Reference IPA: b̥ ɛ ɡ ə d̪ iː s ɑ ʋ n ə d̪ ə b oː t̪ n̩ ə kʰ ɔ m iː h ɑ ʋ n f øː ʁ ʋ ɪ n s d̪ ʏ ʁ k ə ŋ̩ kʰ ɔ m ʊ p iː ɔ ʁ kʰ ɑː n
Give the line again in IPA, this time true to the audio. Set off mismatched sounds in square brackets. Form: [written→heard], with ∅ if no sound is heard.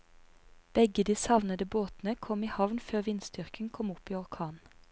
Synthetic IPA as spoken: b̥ ɛ ɡ ə d̪ iː s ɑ ʋ n ə d̪ ə b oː t̪ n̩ ə kʰ ɔ m iː h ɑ ʋ n f øː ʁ ʋ ɪ n s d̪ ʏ ʁ k ə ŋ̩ kʰ ɔ m ʊ p iː ɔ ʁ kʰ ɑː n